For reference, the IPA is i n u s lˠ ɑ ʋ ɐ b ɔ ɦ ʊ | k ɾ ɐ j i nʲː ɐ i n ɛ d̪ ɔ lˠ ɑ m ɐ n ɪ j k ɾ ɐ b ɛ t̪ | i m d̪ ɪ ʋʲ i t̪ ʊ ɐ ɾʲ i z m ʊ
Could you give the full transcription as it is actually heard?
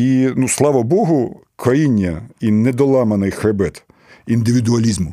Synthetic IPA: i n u s lˠ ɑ ʋ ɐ b ɔ ɦ ʊ | k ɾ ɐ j i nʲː ɐ i n ɛ d̪ ɔ lˠ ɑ m ɐ n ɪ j x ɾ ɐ b ɛ t̪ | i n d̪ ɪ ʋʲ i d̪ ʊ ɐ lʲ i z m ʊ